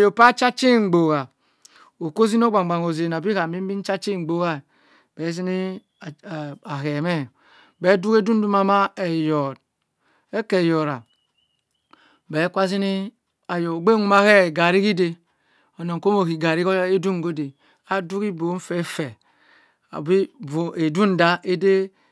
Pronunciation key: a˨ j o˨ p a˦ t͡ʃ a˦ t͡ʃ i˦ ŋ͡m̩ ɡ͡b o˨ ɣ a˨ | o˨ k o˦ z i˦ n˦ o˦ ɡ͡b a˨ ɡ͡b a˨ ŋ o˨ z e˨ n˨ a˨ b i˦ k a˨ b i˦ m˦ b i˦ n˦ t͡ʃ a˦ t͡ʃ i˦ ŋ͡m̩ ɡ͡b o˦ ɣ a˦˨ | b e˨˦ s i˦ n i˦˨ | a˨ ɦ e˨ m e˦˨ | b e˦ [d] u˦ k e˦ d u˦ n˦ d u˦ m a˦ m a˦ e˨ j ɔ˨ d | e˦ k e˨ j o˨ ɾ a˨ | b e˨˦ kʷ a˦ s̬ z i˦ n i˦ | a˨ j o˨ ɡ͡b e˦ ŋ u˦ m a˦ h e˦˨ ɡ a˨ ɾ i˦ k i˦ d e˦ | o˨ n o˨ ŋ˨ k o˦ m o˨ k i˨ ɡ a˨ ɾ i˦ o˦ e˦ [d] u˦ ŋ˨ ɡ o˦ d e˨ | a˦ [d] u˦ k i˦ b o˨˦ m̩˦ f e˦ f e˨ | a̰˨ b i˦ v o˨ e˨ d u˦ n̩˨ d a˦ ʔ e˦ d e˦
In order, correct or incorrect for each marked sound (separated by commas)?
correct, correct, correct